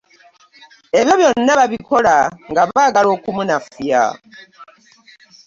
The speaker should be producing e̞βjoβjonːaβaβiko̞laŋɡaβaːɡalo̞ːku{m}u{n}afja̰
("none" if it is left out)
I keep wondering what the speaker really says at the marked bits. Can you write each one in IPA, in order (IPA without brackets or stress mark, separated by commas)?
m, n